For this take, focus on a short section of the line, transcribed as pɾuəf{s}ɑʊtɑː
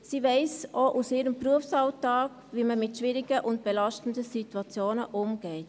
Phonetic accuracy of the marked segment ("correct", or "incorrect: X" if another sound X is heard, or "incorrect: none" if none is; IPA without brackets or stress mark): correct